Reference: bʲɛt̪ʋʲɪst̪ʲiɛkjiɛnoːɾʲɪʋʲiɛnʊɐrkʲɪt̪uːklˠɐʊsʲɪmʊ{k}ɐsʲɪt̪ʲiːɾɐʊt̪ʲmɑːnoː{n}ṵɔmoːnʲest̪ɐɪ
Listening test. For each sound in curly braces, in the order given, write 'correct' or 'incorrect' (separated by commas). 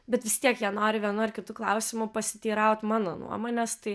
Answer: incorrect, correct